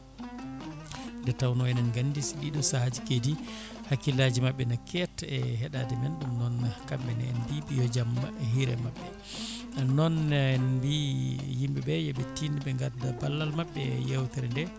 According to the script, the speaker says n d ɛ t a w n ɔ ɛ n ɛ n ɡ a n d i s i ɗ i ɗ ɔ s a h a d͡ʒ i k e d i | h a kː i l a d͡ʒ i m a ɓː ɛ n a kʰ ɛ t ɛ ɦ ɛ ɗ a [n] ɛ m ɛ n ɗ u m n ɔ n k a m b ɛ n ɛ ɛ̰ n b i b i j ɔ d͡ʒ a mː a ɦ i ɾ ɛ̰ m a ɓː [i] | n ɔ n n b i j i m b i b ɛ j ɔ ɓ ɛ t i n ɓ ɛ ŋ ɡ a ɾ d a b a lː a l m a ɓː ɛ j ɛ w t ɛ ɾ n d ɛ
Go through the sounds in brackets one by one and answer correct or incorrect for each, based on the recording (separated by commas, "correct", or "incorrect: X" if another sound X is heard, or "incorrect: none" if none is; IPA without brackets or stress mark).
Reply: incorrect: d, incorrect: ɛ